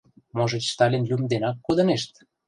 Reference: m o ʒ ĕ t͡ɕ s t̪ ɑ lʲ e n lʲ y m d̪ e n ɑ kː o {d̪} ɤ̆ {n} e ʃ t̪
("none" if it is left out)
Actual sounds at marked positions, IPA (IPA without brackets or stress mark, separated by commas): d̪, n